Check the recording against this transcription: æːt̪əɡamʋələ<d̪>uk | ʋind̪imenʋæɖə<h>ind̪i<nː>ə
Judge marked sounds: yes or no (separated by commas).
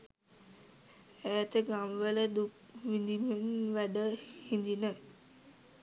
yes, yes, no